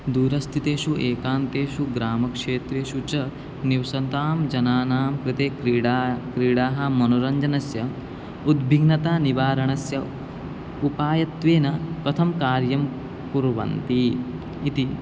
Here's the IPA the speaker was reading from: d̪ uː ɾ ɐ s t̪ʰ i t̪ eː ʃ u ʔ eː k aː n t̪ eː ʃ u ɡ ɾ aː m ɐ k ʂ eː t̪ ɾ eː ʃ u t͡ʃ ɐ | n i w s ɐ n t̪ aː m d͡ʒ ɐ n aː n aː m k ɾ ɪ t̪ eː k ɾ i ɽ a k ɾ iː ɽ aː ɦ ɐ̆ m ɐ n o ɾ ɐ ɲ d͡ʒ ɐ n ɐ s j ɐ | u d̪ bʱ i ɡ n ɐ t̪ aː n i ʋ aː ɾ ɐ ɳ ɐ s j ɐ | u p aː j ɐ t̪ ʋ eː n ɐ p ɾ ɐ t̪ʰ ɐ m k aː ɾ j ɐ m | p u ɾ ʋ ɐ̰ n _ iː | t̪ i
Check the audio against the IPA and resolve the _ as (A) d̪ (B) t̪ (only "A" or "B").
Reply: B